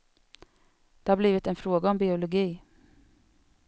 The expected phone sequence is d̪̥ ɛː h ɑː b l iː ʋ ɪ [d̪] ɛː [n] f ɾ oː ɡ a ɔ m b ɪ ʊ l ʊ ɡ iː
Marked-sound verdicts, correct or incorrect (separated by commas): incorrect, correct